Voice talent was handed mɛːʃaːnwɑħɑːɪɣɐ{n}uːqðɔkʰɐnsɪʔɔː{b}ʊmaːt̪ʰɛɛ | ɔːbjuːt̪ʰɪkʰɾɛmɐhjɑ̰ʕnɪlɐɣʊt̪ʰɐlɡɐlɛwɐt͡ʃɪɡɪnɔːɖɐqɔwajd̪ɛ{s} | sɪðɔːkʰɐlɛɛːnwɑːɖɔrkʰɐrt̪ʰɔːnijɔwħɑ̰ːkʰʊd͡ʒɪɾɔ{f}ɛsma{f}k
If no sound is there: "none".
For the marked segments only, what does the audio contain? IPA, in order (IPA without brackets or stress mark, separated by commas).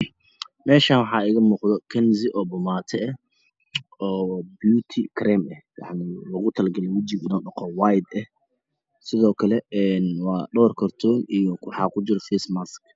m, b, h, f, s